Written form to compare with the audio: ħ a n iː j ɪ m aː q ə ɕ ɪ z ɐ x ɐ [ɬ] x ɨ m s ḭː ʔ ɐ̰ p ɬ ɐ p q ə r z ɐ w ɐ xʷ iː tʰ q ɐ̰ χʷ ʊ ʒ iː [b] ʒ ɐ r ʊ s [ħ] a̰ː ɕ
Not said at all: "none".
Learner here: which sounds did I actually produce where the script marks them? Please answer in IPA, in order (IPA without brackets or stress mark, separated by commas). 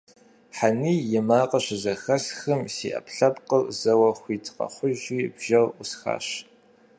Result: ɬ, b, x